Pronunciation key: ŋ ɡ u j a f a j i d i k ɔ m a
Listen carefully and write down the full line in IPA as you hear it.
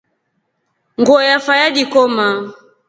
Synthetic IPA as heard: ŋ ɡ ɔ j a f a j a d i k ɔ m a